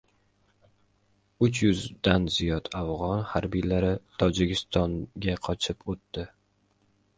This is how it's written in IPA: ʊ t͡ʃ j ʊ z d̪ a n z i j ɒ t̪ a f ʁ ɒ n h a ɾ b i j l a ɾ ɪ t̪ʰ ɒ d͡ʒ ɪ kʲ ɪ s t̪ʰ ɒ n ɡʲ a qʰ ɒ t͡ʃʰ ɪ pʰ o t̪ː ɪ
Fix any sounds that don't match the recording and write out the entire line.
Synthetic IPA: ʊ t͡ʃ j ʊ z d̪ a n z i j ɒ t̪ a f ʁ ɒ n h a ɾ b i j l a ɾ ɪ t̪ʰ ɒ d͡ʒ ɪ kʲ ɪ s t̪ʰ ɒ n ɡʲ a qʰ ɒ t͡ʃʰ ɪ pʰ o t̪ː ɪ